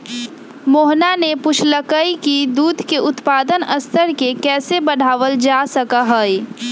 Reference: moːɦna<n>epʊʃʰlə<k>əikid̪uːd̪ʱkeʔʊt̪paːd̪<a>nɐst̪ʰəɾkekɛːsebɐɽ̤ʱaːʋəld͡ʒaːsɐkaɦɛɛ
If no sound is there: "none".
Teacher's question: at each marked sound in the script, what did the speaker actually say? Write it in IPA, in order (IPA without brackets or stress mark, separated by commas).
n, k, ə